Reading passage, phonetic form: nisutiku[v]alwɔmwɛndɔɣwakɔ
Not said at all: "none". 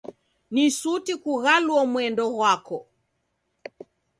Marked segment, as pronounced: ɣ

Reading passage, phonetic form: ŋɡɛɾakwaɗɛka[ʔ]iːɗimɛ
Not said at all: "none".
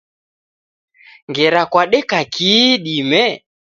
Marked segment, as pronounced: k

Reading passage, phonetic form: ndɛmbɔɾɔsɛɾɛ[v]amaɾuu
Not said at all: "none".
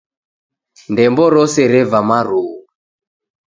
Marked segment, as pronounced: v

